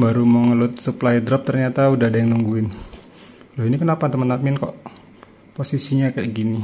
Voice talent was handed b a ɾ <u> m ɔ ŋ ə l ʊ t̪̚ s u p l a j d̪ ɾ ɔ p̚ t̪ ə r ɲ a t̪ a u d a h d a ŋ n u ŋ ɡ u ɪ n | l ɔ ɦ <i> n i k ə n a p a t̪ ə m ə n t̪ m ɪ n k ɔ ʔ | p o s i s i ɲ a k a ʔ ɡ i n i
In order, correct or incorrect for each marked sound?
correct, correct

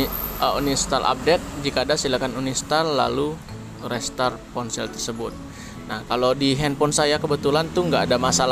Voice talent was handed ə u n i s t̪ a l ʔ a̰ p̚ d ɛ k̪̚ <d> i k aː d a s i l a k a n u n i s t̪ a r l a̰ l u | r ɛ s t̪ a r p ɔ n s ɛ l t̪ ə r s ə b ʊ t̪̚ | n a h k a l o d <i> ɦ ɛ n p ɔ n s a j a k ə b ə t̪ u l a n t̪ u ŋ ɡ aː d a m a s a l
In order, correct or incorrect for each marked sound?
incorrect: d͡ʒ, correct

